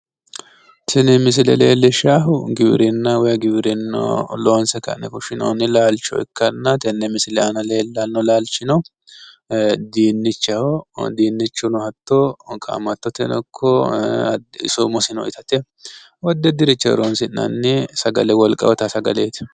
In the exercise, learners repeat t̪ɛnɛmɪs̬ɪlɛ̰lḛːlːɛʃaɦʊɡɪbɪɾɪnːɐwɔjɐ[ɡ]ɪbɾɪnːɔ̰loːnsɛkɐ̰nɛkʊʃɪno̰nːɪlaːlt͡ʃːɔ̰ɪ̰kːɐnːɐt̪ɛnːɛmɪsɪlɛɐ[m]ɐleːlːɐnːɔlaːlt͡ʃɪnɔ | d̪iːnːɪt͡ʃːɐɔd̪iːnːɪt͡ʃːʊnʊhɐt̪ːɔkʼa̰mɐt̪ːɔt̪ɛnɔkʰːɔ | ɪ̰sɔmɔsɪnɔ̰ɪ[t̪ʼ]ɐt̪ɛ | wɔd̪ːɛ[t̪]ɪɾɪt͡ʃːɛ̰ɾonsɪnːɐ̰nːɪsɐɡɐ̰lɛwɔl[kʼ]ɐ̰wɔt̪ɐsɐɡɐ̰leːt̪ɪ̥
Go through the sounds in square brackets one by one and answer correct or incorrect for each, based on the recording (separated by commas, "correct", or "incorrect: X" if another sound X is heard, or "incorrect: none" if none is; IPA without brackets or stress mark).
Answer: correct, incorrect: n, incorrect: t̪, incorrect: d̪, correct